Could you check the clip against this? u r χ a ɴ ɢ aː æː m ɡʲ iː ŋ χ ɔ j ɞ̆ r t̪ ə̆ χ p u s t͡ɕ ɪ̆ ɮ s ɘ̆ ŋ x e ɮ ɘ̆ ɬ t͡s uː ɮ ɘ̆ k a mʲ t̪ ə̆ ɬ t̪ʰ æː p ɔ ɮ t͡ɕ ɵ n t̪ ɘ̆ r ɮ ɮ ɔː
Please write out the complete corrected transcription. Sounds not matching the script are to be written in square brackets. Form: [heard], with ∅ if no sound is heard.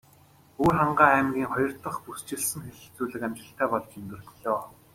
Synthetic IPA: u r χ a ɴ ɢ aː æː m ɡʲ iː ŋ χ ɔ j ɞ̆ r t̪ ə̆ χ p u s t͡ɕ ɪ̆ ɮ s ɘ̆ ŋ x e ɮ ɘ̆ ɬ t͡s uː ɮ ɘ̆ k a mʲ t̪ ə̆ ɬ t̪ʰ æː p ɔ ɮ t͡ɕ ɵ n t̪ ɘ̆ r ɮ ɮ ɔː